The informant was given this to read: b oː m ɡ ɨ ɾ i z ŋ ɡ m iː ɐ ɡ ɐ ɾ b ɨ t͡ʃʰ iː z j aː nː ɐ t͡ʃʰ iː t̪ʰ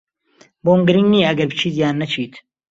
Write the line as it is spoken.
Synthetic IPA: b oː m ɡ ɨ ɾ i ŋ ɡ n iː ɐ ɡ ɐ ɾ b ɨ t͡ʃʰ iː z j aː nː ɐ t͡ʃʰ iː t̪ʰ